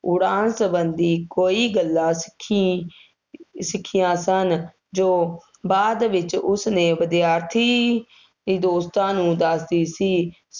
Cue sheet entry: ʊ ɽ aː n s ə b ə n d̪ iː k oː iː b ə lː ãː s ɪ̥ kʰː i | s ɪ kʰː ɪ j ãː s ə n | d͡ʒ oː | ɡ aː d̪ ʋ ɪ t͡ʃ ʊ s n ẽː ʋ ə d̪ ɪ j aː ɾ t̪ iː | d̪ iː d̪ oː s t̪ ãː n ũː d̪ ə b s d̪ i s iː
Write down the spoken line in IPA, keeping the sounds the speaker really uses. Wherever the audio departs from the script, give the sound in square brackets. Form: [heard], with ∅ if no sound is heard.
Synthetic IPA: ʊ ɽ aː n s ə b ə n d̪ iː k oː iː [ɡ] ə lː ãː s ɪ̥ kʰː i | s ɪ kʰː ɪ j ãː s ə n | d͡ʒ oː | [b] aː d̪ ʋ ɪ t͡ʃ ʊ s n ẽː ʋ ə d̪ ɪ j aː ɾ [t̪ʰ] iː | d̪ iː d̪ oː s t̪ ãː n ũː d̪ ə [∅] s d̪ [iː] s iː